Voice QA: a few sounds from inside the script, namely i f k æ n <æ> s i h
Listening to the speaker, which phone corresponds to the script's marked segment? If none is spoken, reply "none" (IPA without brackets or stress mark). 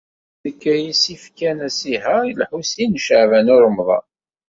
æ